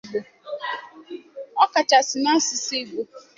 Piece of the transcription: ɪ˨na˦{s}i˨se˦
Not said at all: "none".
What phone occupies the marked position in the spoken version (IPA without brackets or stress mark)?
s